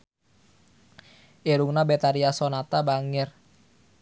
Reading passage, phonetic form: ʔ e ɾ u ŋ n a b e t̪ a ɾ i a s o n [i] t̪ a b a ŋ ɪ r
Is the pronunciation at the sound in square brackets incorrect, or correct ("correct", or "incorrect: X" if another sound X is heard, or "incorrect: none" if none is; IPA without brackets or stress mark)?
incorrect: a